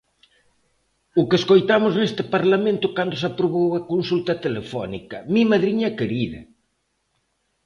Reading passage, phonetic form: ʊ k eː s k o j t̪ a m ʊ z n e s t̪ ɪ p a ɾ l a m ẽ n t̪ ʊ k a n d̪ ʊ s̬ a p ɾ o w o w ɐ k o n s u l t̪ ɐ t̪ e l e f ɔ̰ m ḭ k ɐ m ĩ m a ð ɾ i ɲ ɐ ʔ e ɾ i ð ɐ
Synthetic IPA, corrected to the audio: ʊ k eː s k o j t̪ a m ʊ z n e s t̪ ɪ p a ɾ l a m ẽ n t̪ ʊ k a n d̪ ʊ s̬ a p ɾ o β o w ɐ k o n s u l t̪ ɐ t̪ e l e f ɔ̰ n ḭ k ɐ m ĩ m a ð ɾ i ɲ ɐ k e ɾ i ð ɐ